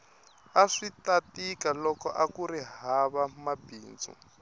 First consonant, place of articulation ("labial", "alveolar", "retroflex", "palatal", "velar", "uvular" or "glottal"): retroflex